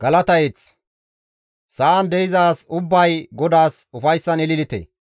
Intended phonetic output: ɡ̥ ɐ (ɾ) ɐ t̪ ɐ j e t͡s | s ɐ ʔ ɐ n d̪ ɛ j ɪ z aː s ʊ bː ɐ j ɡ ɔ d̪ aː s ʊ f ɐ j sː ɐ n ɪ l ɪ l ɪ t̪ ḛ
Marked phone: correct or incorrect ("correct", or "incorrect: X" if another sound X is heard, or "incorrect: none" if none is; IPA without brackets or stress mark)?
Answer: incorrect: l